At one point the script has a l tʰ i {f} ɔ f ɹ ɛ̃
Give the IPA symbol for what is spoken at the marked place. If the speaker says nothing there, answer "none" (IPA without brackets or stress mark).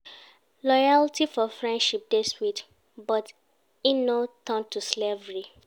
f